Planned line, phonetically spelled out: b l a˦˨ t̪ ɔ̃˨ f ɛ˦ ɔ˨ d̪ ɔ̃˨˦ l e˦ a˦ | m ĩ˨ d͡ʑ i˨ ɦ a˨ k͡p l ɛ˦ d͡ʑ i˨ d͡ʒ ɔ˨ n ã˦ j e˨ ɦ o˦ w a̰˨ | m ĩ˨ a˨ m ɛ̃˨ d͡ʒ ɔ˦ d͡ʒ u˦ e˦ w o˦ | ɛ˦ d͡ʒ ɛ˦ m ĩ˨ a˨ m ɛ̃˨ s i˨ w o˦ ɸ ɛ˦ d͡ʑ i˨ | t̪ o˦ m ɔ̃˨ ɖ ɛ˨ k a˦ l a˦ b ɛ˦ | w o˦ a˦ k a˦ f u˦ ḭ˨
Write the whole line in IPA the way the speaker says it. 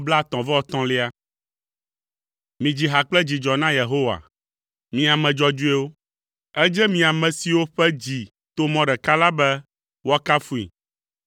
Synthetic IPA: b l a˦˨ t̪ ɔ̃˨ v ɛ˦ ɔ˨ t̪ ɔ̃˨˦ l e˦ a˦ | m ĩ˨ d͡ʑ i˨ ɦ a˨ k͡p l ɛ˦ d͡ʑ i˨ d͡ʒ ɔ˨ n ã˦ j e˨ ɦ o˦ w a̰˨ | m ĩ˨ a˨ m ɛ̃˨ d͡ʒ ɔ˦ d͡ʒ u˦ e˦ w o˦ | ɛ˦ d͡ʒ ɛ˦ m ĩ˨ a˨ m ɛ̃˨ s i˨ w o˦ ɸ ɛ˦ d͡ʑ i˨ | t̪ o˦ m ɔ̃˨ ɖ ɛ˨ k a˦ l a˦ b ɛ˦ | w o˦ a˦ k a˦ f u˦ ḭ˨